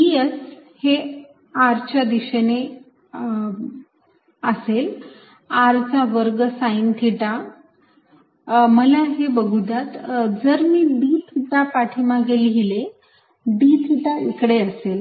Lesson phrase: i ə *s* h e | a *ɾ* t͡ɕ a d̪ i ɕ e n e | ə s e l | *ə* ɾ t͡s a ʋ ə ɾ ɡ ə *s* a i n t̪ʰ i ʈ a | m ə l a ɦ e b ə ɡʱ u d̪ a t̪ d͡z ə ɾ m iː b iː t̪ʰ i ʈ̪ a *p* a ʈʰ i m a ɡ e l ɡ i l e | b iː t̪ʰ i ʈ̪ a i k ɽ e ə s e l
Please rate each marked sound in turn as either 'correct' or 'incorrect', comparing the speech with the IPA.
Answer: correct, correct, incorrect, correct, correct

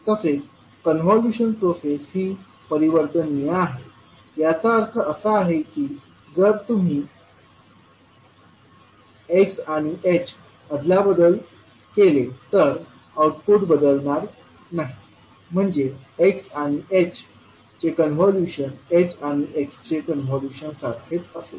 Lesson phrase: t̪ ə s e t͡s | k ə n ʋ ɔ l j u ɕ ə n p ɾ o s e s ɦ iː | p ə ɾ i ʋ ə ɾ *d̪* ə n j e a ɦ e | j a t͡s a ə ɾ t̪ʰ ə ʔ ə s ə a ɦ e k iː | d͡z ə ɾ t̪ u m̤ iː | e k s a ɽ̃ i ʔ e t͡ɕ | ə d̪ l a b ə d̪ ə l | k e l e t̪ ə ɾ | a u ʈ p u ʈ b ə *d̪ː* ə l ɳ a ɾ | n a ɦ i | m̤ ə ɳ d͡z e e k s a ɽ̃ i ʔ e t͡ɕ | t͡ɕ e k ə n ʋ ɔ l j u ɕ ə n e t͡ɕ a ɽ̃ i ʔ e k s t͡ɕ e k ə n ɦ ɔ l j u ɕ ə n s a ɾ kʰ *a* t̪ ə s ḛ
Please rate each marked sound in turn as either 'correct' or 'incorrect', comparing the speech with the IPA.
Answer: incorrect, incorrect, incorrect

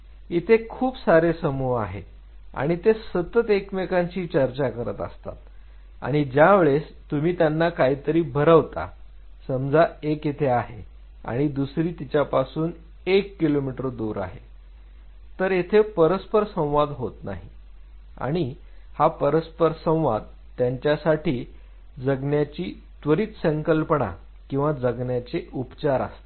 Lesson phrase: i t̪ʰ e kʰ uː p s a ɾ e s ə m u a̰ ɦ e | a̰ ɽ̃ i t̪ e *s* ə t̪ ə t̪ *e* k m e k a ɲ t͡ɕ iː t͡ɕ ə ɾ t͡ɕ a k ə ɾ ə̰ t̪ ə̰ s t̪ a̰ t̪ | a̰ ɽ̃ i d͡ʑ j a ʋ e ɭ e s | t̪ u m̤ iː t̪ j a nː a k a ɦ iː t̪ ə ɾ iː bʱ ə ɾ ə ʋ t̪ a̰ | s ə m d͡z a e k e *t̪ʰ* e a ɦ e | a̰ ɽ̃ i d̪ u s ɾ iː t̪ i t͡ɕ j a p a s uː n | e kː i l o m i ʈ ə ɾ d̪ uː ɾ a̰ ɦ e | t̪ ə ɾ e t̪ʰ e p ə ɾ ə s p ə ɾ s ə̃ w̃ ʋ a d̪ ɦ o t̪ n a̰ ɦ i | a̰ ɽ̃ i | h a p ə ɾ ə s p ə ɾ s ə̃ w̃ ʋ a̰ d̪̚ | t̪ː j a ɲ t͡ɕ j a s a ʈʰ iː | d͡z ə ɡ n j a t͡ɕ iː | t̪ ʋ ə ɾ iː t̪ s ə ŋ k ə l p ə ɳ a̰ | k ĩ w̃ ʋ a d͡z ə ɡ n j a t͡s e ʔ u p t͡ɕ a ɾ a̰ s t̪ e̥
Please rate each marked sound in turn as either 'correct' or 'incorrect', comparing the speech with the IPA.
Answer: correct, correct, correct

